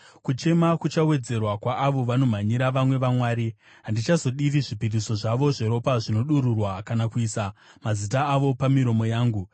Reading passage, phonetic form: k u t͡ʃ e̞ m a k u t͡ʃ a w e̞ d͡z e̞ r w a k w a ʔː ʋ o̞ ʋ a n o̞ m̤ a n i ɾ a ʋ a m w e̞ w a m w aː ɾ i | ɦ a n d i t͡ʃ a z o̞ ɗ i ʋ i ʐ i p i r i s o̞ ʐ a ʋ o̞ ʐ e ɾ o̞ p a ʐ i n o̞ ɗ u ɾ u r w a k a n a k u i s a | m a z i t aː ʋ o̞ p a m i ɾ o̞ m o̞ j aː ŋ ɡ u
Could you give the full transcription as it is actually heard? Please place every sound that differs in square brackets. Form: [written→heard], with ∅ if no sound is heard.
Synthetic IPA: k u t͡ʃ e̞ m a k u t͡ʃ a w e̞ d͡z e̞ r w a k w a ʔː ʋ o̞ ʋ a n o̞ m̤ a [n→ɲ] i ɾ a ʋ a m w e̞ [w→ʋ] a m w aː ɾ i | ɦ a n d i t͡ʃ a z o̞ ɗ i ʋ i ʐ i p i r i s o̞ ʐ a ʋ o̞ ʐ e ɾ o̞ p a ʐ i n o̞ ɗ u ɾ u r w a k a n a k u i s a | m a z i t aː ʋ o̞ p a m i ɾ o̞ m o̞ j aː ŋ ɡ u

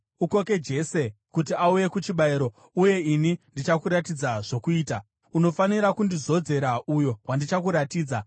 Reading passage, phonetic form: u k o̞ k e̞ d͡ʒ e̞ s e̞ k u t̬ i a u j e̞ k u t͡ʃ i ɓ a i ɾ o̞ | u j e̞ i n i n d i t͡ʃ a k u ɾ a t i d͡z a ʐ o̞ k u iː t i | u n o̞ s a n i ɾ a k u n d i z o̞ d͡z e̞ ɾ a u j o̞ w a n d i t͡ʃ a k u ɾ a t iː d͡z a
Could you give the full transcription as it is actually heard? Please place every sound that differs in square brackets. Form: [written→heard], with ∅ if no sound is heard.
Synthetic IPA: u k o̞ k e̞ d͡ʒ e̞ s e̞ k u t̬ i a u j e̞ k u t͡ʃ i ɓ a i ɾ o̞ | u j e̞ i n i n d i t͡ʃ a k u ɾ a t i d͡z a ʐ o̞ k u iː t [i→a] | u n o̞ [s→f] a n i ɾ a k u n d i z o̞ d͡z e̞ ɾ a u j o̞ w a n d i t͡ʃ a k u ɾ a t iː d͡z a

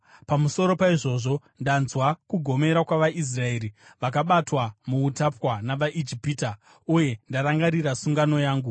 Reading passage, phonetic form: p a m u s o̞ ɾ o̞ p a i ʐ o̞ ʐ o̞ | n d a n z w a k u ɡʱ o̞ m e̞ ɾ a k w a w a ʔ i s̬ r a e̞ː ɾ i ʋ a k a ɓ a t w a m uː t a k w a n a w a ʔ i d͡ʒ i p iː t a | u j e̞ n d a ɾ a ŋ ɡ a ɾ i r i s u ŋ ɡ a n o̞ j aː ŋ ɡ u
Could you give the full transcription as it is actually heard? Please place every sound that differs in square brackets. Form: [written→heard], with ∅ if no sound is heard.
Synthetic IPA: p a m u s o̞ ɾ o̞ p a i ʐ o̞ ʐ o̞ | n d a n z w a k u ɡʱ o̞ m e̞ ɾ a k w a [w→ʋ] a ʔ i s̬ r a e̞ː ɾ i ʋ a k a ɓ a t w a m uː t a [k→p] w a n a [w→ʋ] a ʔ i d͡ʒ i p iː t a | u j e̞ n d a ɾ a ŋ ɡ a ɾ i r [i→a] s u ŋ ɡ a n o̞ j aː ŋ ɡ u

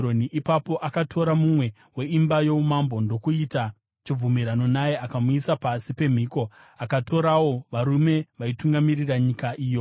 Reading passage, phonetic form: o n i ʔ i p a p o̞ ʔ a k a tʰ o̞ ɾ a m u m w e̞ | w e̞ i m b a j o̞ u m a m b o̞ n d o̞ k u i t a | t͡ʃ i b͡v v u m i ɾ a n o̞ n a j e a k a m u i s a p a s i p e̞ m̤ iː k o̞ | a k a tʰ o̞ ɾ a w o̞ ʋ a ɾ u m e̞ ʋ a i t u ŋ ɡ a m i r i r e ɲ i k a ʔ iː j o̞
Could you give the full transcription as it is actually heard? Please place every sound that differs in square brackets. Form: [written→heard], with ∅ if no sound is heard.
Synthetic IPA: o n i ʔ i p a p o̞ ʔ a k a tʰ o̞ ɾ a m u m w e̞ | w e̞ i m b a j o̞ u m a m b o̞ n d o̞ k u i t a | t͡ʃ i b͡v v u m i ɾ a n o̞ n a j e a k a m u i s a p a s i p e̞ m̤ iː k o̞ | a k a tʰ o̞ ɾ a w o̞ ʋ a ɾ u m e̞ ʋ a i t u ŋ ɡ a m i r i r [e→a] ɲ i k a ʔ iː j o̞

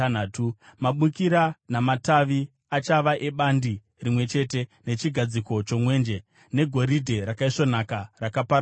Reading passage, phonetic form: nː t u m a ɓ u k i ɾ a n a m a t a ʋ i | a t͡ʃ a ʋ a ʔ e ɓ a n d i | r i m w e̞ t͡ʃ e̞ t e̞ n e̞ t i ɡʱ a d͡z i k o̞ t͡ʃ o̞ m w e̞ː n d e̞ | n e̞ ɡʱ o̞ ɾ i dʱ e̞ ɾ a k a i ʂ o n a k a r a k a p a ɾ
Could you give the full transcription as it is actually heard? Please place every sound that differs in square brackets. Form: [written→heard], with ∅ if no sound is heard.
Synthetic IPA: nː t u m a ɓ u k i ɾ a n a m a t a ʋ i | a t͡ʃ a ʋ a ʔ e ɓ a n d i | r i m w e̞ t͡ʃ e̞ t e̞ n e̞ [t→t͡ʃ] i ɡʱ a d͡z i k o̞ t͡ʃ o̞ m w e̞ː n [d→d͡ʒ] e̞ | n e̞ ɡʱ o̞ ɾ i dʱ e̞ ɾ a k a i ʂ o n a k a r a k a p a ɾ

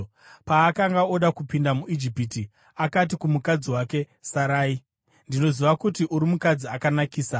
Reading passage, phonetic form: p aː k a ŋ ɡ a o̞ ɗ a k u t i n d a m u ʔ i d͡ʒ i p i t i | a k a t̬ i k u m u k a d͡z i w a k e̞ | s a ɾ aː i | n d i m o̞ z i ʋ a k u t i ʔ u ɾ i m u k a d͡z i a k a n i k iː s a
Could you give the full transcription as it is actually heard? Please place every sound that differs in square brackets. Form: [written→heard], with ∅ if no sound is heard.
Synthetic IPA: p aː k a ŋ ɡ a o̞ ɗ a k u [t→p] i n d a m u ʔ i d͡ʒ i p i t i | a k a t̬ i k u m u k a d͡z i w a k e̞ | s a ɾ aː i | n d i [m→n] o̞ z i ʋ a k u t i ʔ u ɾ i m u k a d͡z i a k a n [i→a] k iː s a

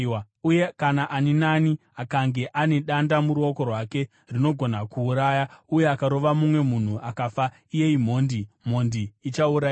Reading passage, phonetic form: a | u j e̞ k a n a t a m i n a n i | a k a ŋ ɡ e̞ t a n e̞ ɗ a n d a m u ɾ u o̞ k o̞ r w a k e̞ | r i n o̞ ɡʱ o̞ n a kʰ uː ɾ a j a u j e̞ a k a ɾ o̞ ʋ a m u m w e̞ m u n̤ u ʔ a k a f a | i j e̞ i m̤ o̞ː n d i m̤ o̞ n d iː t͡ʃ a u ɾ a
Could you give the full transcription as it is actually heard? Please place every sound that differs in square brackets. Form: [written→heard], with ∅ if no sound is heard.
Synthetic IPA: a | u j e̞ k a n a [t→ʔ] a [m→n] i n a n i | a k a ŋ ɡ e̞ [t→ʔ] a n e̞ ɗ a n d a m u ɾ u o̞ k o̞ r w a k e̞ | r i n o̞ ɡʱ o̞ n a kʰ uː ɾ a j a u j e̞ a k a ɾ o̞ ʋ a m u m w e̞ m u n̤ u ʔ a k a f a | i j e̞ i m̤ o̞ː n d i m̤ o̞ n d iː t͡ʃ a u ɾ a

